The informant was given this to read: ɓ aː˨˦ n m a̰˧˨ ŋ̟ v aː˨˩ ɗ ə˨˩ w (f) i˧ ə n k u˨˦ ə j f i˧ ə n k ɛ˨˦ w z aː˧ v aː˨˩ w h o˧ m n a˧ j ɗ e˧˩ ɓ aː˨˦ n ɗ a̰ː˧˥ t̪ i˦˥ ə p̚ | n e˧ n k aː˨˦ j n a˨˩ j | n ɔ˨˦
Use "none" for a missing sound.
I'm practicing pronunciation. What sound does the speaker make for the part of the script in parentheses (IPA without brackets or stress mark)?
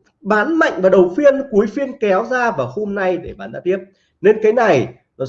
f